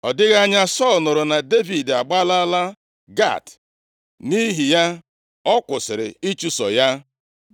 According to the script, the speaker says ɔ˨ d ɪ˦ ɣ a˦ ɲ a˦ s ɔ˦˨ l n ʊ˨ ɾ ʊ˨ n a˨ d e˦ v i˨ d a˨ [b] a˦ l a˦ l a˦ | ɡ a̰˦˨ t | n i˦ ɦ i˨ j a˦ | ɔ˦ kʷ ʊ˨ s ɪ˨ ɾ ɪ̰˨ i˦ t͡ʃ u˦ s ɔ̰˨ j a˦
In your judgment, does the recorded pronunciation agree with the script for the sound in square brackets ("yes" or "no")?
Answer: no